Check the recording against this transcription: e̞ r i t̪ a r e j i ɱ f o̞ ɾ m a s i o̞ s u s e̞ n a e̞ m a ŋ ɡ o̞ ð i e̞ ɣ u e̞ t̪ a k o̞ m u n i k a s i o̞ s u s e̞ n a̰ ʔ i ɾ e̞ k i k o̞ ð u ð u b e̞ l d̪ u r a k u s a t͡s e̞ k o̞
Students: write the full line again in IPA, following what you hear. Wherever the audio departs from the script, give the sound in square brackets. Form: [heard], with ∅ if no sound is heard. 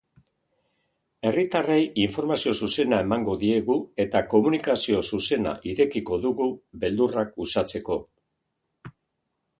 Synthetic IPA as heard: e̞ r i t̪ a r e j i ɱ f o̞ ɾ m a s i o̞ s u s e̞ n a e̞ m a ŋ ɡ o̞ ð i e̞ ɣ u e̞ t̪ a k o̞ m u n i k a s i o̞ s u s e̞ n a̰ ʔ i ɾ e̞ k i k o̞ ð u [ɣ] u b e̞ l d̪ u r a k u s a t͡s e̞ k o̞